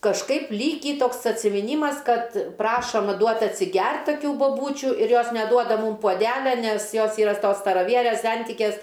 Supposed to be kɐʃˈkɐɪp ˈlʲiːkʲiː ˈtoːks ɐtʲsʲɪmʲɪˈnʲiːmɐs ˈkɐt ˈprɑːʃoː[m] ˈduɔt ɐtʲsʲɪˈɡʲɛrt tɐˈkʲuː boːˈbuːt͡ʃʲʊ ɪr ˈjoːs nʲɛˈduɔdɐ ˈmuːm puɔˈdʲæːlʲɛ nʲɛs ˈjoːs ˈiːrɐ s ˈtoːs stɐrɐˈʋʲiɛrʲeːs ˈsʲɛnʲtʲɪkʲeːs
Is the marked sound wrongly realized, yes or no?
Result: no